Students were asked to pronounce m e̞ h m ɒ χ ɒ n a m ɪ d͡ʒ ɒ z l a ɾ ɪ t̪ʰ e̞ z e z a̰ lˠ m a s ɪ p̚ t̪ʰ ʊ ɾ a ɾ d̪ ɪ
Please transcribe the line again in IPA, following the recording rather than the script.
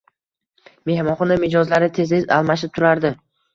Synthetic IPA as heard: m e̞ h m ɒ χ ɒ n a m ɪ d͡ʒ ɒ z l a ɾ ɪ t̪ʰ e̞ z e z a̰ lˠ m a ʃ ɪ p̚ t̪ʰ ʊ ɾ a ɾ d̪ ɪ